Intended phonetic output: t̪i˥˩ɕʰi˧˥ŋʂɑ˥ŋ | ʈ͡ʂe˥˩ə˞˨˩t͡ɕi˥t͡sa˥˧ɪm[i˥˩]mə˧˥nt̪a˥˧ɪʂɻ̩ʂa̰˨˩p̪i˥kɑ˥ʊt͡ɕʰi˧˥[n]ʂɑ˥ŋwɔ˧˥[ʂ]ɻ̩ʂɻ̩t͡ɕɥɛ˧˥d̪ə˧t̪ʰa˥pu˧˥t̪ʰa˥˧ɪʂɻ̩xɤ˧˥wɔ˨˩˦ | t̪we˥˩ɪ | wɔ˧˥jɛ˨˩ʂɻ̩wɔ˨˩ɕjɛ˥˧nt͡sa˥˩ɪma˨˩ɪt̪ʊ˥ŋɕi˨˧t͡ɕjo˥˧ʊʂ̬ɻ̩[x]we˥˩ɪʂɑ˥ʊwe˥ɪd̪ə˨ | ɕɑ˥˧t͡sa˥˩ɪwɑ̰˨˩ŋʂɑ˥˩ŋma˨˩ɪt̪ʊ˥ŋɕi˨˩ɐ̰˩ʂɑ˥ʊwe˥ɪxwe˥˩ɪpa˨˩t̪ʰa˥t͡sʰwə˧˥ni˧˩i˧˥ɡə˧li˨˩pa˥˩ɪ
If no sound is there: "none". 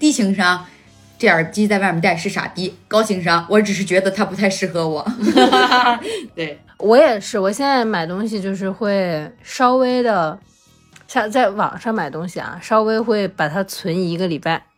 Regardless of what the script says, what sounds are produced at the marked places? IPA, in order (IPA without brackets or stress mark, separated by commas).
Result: a˥˩, ŋ, ʈ͡ʂ, x